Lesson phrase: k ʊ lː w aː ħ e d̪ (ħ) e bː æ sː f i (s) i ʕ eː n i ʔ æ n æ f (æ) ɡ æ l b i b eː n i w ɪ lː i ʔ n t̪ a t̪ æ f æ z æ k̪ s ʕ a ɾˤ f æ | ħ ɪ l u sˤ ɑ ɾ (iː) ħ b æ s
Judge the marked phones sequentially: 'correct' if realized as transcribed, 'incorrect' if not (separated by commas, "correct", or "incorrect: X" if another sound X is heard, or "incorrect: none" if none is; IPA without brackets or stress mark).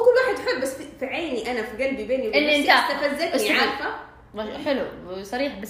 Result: correct, incorrect: f, incorrect: i, correct